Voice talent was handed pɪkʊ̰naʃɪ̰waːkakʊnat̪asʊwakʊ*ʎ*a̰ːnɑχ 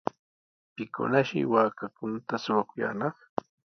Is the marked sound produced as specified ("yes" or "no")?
no